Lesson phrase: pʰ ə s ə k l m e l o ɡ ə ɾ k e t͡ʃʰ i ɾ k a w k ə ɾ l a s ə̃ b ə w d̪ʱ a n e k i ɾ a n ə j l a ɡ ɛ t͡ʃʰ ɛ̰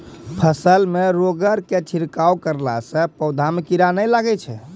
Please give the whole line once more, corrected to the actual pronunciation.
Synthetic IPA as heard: pʰ ə s ə l m e ɾ o ɡ ə ɾ k e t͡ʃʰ i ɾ k a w k ə ɾ l a s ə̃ p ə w d̪ʱ a m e k i ɾ a n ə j l a ɡ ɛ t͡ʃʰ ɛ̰

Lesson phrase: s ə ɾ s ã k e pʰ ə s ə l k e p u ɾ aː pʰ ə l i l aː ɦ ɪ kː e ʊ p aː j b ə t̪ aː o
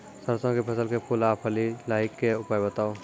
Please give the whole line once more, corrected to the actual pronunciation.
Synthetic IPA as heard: s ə ɾ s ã k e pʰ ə s ə l k e p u l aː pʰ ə l i l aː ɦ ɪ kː e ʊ p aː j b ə t̪ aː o

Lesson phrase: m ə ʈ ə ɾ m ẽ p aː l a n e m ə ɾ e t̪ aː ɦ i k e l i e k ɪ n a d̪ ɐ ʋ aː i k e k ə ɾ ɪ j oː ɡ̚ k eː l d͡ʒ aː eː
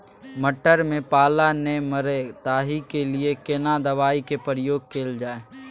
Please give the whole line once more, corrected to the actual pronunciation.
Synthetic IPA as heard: m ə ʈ ə ɾ m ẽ p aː l a n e m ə ɾ e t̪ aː ɦ i k e l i e k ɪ n a d̪ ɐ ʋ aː i k e p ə ɾ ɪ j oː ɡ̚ k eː l d͡ʒ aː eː

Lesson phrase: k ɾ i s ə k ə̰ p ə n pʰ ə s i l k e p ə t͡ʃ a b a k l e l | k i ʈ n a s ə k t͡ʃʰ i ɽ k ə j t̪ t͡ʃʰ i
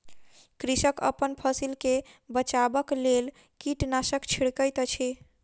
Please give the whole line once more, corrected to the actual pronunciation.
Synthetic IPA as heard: k ɾ i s ə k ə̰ p ə n pʰ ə s i l k e b ə t͡ʃ a b ə k l e l | k i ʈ n a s ə k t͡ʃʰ i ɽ k ə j t̪ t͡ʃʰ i

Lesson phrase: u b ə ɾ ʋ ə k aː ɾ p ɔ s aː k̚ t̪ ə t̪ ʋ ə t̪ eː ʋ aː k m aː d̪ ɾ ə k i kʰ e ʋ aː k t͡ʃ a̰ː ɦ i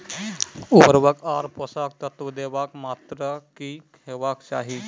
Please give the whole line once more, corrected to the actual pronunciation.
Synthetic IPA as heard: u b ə ɾ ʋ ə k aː ɾ p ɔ s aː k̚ t̪ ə t̪ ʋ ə d̪ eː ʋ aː k m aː t̪ ɾ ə k i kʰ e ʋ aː k t͡ʃ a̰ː ɦ i

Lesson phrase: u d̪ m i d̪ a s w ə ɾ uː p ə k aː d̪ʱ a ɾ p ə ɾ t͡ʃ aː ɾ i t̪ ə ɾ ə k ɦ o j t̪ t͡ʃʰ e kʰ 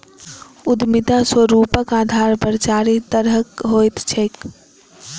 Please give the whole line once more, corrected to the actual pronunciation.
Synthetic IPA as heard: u d̪ m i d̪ a s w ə ɾ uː p ə k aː d̪ʱ a ɾ p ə ɾ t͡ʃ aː ɾ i t̪ ə ɾ ə k ɦ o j t̪ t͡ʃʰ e k

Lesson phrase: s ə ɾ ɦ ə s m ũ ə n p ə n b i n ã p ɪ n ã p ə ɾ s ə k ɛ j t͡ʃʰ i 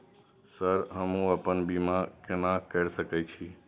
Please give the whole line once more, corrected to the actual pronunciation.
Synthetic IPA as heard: s ə ɾ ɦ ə m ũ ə p ə n b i m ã k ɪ n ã k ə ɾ s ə k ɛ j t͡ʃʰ i

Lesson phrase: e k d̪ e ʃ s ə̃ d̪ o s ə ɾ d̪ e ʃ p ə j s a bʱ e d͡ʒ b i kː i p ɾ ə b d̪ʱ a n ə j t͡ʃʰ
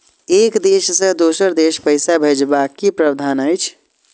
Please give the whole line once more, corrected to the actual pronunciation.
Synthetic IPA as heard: e k d̪ e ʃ s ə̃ d̪ o s ə ɾ d̪ e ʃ p ə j s a bʱ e d͡ʒ b a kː i p ɾ ə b d̪ʱ a n ə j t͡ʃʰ

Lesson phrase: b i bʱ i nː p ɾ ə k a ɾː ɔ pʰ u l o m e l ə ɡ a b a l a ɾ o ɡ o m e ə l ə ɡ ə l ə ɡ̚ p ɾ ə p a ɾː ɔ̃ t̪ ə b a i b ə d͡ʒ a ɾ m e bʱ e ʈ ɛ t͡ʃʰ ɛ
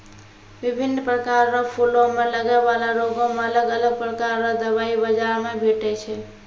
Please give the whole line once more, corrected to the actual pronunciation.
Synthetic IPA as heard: b i bʱ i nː p ɾ ə k a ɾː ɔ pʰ u l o m e l ə ɡ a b a l a ɾ o ɡ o m e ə l ə ɡ ə l ə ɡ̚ p ɾ ə k a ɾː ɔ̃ d̪ ə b a i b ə d͡ʒ a ɾ m e bʱ e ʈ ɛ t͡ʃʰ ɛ

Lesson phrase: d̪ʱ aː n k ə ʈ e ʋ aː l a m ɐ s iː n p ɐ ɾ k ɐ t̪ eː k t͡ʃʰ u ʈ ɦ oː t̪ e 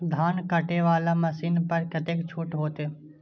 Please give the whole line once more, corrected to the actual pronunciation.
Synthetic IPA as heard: d̪ʱ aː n k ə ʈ e ʋ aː l a m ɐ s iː n p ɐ ɾ k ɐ t̪ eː k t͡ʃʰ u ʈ ɦ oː t̪ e

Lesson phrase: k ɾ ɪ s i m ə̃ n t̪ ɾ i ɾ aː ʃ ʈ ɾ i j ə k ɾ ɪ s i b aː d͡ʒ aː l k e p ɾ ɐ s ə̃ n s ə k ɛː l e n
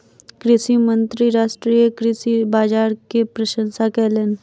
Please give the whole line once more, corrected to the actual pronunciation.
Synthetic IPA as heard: k ɾ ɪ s i m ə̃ n t̪ ɾ i ɾ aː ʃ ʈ ɾ i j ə k ɾ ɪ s i b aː d͡ʒ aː ɾ k e p ɾ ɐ ʃ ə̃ n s a k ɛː l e n

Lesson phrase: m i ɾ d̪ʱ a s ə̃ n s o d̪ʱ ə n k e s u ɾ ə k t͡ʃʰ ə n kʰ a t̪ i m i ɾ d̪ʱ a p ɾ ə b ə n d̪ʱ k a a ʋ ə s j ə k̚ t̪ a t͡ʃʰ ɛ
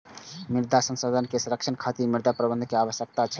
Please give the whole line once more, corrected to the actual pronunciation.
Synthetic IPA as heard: m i ɾ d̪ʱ a s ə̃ n s o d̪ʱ ə n k e s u ɾ ə k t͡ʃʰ ə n kʰ a t̪ i m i ɾ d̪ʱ a p ɾ ə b ə n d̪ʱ k e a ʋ ə s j ə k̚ t̪ a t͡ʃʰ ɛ

